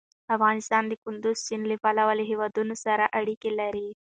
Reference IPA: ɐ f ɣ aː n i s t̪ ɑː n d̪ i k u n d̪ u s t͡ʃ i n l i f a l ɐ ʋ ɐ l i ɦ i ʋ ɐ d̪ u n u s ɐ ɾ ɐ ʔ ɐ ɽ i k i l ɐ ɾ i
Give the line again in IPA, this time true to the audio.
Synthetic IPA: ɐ f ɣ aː n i s t̪ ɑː n d̪ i k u n d̪ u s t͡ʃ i n l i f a l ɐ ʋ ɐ l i ɦ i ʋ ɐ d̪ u n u s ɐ ɾ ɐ ʔ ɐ ɽ i k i l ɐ ɾ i